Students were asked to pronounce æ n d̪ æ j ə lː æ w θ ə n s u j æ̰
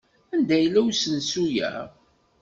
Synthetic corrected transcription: æ n d̪ æ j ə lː æ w s ə n s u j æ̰